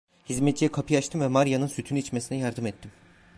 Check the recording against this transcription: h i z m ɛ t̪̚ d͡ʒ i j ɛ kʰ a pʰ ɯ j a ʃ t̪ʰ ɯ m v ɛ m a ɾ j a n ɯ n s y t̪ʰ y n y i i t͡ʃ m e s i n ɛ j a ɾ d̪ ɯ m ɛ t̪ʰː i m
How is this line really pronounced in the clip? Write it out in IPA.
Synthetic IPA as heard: h i z m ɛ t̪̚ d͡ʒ i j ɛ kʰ a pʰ ɯ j a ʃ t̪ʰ ɯ m v ɛ m a ɾ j a n ɯ n s y t̪ʰ y n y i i t͡ʃ m e s i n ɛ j a ɾ d̪ ɯ m ɛ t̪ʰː i m